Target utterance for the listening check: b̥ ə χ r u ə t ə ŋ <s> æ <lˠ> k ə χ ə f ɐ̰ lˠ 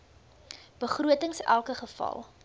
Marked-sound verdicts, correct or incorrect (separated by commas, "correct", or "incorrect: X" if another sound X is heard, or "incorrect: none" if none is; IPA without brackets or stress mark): correct, correct